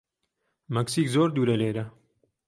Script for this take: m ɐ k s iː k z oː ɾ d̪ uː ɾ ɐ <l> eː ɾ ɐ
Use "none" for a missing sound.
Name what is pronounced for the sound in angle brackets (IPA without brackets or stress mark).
l